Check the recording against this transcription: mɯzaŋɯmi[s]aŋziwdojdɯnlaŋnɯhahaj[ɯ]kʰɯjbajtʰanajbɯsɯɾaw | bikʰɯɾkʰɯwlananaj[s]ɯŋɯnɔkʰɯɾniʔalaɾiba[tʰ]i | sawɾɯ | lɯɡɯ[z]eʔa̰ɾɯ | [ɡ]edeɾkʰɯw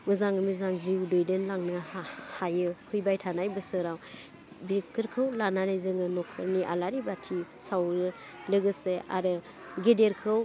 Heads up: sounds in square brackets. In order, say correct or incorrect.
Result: incorrect: z, correct, incorrect: z, correct, incorrect: s, correct

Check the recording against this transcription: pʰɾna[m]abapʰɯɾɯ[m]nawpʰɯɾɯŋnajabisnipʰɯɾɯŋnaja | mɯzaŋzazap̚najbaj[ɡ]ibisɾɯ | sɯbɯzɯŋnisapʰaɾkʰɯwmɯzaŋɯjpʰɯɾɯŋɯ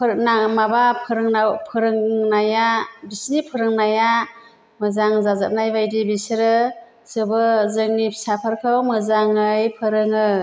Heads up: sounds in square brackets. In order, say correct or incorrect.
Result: correct, incorrect: ŋ, incorrect: d

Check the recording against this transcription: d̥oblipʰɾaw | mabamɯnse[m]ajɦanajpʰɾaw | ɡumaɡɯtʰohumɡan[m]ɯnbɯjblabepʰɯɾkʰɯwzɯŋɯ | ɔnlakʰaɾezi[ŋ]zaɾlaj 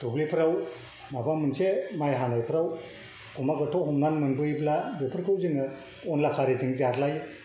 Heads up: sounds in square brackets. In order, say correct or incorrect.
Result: correct, correct, correct

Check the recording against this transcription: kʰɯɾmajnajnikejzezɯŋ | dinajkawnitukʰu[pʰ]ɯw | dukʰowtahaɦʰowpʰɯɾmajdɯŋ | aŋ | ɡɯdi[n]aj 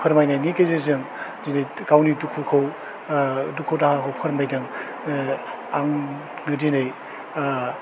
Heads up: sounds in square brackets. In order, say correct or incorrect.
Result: incorrect: kʰ, correct

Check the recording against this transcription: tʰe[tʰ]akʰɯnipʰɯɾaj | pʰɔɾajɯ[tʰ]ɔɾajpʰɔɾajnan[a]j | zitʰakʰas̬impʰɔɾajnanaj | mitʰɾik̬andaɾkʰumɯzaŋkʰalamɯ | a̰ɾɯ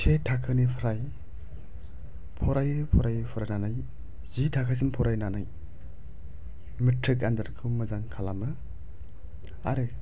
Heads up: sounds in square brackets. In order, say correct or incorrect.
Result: correct, incorrect: pʰ, correct

